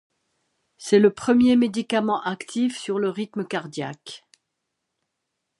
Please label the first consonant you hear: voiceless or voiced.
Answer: voiceless